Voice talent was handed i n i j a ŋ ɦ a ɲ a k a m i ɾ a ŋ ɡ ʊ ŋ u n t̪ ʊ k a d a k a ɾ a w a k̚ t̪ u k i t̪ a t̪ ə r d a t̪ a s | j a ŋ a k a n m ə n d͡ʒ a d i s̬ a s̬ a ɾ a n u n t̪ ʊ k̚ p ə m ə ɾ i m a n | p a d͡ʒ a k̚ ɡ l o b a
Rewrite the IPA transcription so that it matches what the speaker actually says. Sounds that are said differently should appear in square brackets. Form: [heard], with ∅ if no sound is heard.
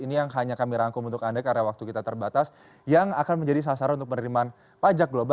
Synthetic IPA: i n i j a ŋ ɦ a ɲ a k a m i ɾ a ŋ [k] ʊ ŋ u n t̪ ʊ k a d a k a ɾ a w a k̚ t̪ u k i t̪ a t̪ ə r [b] a t̪ a s | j a ŋ a k a n m ə [ɲ] d͡ʒ a d i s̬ a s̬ a ɾ a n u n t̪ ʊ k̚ p ə [n] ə ɾ i m a n | p a d͡ʒ a k̚ ɡ l o b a